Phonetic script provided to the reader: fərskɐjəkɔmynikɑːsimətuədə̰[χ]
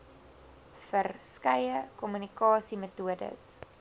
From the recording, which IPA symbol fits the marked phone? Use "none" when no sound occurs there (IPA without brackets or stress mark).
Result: s